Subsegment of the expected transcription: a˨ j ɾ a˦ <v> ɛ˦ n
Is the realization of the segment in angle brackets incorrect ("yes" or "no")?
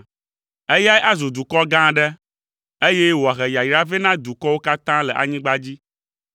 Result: no